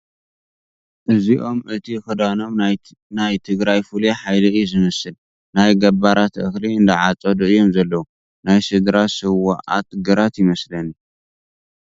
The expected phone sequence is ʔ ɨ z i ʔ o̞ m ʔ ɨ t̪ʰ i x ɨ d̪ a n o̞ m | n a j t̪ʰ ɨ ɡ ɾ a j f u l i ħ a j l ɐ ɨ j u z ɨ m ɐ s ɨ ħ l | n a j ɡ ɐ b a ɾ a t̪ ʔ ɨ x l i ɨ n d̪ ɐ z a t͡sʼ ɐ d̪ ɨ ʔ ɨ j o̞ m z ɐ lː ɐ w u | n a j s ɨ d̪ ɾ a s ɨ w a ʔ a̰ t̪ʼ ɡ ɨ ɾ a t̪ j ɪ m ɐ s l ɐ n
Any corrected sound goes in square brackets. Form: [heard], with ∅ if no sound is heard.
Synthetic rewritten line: ʔ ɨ z i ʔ o̞ m ʔ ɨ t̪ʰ i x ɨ d̪ a n o̞ m | n a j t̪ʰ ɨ ɡ ɾ a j f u l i ħ a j l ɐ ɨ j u z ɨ m ɐ s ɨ [∅] l | n a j ɡ ɐ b a ɾ a t̪ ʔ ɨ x l i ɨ n d̪ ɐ [ʕ] a t͡sʼ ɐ d̪ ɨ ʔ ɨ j o̞ m z ɐ lː ɐ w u | n a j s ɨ d̪ ɾ a s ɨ w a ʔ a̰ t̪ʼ ɡ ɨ ɾ a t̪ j ɪ m ɐ s l ɐ n